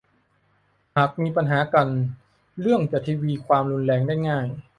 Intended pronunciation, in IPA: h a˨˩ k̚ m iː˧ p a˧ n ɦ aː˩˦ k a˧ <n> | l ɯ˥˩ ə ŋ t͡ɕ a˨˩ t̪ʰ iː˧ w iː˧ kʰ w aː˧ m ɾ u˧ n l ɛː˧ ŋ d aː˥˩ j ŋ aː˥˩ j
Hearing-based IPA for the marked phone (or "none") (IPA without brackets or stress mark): n